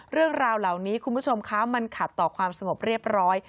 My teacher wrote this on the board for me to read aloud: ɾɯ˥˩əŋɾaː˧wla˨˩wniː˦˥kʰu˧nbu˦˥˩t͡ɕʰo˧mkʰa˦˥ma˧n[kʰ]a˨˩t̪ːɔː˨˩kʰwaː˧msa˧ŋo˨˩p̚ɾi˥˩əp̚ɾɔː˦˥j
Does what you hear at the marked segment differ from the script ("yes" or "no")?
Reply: no